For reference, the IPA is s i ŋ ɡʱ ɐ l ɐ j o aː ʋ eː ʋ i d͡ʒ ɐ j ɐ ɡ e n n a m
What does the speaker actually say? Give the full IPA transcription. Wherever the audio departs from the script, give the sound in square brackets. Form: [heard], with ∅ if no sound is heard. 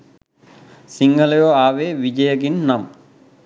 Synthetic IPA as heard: s i ŋ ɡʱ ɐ l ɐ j o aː ʋ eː ʋ i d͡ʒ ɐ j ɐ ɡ [i] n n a m